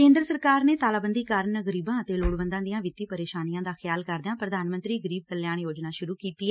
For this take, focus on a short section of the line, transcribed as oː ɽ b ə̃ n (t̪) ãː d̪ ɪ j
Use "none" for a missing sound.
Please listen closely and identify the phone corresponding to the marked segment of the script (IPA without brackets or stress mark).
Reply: d̪